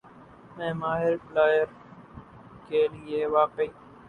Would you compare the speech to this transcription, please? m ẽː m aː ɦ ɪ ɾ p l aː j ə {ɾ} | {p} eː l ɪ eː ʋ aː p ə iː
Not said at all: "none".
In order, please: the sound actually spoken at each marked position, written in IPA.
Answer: ɾ, k

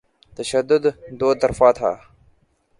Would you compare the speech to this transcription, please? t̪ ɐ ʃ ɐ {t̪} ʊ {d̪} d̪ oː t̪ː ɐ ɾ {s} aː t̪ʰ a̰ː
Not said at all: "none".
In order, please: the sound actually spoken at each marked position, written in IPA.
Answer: d̪, d̪, f

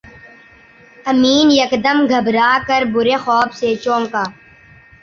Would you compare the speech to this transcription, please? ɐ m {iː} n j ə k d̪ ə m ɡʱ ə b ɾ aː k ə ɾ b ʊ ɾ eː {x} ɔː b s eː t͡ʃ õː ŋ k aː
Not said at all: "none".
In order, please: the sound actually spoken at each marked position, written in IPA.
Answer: iː, x

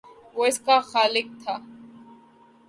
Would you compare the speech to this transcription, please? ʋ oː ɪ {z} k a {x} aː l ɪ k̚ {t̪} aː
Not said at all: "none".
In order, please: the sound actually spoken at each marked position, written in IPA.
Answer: s, x, t̪ʰ

